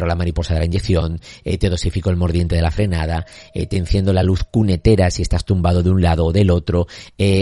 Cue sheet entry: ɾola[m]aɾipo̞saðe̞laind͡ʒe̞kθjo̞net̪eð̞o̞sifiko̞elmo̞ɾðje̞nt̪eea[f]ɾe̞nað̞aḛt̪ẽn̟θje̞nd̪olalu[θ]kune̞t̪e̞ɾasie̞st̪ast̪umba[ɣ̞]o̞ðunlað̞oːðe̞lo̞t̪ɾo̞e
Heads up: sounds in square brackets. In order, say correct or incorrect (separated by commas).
correct, correct, correct, incorrect